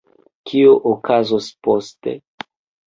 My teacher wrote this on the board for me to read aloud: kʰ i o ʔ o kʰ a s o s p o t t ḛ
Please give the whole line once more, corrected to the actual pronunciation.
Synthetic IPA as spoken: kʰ i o ʔ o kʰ a z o s p o s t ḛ